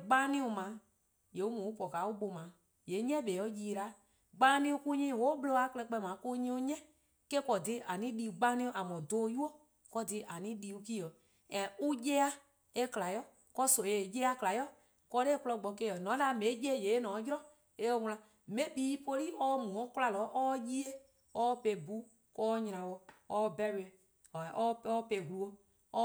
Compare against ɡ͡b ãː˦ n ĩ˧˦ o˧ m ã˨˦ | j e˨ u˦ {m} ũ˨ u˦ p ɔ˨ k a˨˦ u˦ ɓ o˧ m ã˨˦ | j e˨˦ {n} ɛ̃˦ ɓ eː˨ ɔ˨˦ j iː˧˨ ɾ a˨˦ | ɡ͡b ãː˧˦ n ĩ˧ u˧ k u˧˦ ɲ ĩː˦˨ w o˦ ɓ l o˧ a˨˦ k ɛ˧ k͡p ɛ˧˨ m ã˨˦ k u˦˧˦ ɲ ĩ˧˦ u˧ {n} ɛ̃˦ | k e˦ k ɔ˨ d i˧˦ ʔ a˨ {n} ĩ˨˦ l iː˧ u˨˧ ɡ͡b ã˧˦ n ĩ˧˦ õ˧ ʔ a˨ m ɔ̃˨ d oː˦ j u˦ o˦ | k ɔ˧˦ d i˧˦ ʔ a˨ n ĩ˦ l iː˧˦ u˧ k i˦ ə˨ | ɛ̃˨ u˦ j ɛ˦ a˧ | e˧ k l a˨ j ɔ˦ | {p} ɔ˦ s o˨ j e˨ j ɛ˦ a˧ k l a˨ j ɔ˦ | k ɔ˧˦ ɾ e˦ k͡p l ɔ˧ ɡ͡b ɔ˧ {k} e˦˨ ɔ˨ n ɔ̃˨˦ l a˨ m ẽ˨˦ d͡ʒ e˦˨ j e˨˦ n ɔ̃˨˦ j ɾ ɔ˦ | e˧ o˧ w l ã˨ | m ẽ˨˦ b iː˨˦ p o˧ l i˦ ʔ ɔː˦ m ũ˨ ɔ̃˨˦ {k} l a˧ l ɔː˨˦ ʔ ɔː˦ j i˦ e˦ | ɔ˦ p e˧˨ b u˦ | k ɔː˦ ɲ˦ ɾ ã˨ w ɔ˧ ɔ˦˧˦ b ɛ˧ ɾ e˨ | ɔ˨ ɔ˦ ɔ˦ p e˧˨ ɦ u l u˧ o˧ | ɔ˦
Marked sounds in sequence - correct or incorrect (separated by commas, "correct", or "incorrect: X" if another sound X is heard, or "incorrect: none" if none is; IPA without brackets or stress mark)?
correct, incorrect: ɲ, incorrect: ɲ, correct, incorrect: k, correct, correct